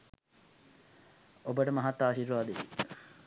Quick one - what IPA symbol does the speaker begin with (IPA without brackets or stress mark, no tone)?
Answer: o